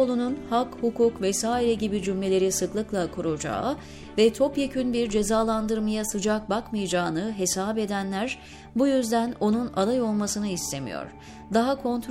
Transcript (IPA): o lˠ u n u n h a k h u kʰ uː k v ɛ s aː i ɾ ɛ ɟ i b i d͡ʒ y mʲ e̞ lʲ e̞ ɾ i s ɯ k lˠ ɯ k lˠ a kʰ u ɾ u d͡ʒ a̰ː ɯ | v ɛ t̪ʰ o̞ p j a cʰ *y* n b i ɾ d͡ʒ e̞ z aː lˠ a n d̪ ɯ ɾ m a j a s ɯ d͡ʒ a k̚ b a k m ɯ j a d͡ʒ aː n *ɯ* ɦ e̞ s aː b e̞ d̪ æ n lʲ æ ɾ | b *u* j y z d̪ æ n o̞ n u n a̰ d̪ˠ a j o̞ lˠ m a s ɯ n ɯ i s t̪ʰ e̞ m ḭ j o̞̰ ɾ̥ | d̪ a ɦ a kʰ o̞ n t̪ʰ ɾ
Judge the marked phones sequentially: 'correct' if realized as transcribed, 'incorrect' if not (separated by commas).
correct, correct, correct